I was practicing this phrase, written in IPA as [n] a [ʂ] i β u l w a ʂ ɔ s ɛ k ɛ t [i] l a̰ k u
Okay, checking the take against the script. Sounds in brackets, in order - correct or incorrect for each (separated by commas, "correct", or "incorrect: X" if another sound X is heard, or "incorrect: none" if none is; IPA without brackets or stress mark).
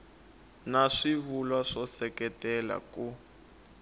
correct, correct, incorrect: ɛ